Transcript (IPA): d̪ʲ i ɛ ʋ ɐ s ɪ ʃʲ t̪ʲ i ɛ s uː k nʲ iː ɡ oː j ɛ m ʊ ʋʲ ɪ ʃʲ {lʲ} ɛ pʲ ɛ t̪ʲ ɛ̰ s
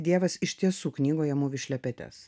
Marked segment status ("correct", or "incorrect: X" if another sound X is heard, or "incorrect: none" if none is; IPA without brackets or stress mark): correct